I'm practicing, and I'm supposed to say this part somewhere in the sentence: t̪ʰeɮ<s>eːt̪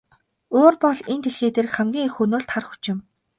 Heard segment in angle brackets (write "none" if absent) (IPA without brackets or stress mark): x